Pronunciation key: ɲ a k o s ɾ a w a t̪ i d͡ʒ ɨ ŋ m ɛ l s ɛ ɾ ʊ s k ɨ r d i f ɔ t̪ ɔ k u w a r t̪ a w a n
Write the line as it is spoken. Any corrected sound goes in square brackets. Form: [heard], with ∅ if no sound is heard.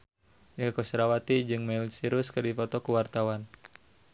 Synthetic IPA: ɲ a k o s ɾ a w a t̪ i d͡ʒ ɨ ŋ m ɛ l s [i] ɾ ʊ s k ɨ r d i f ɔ t̪ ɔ k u w a r t̪ a w a n